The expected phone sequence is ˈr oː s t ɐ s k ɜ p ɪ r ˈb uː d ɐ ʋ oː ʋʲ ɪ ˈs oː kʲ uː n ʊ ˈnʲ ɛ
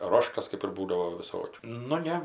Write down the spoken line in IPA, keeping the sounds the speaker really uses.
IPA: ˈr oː ʃ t ɐ s k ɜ p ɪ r ˈb uː d ɐ ʋ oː ʋʲ ɪ ˈs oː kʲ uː n ʊ ˈnʲ ɛ